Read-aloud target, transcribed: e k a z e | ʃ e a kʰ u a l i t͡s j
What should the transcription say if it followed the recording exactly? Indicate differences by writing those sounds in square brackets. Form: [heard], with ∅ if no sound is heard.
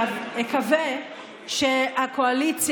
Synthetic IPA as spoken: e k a [v] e | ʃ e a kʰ [o] a l i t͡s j